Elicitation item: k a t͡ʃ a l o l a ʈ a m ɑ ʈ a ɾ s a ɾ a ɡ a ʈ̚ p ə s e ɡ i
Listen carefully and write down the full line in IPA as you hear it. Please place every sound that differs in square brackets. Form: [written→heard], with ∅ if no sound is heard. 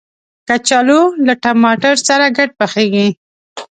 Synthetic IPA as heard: k a t͡ʃ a l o l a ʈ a m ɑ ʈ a ɾ s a ɾ a ɡ a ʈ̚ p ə [s→x] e ɡ i